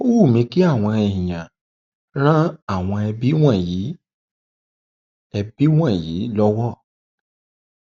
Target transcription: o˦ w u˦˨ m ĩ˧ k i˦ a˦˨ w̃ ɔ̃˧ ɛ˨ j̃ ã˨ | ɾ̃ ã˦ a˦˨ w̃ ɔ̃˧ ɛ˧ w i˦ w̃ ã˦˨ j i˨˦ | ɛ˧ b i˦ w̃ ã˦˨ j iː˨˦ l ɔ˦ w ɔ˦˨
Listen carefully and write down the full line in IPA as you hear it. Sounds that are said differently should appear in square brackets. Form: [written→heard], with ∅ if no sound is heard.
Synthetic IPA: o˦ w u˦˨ m ĩ˧ k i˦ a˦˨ w̃ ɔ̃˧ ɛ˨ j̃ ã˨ | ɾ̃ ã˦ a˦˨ w̃ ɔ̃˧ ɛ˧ [w→b] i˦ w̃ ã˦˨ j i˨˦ | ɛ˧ b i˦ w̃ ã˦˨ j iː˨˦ l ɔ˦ w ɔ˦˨